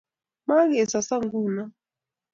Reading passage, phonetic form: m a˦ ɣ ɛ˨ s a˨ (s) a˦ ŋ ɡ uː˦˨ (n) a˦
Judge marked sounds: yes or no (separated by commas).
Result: yes, yes